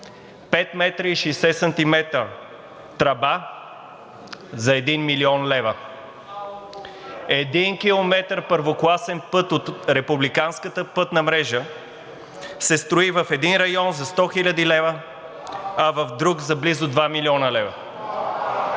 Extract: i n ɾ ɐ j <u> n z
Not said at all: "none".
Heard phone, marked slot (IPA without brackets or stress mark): ɔ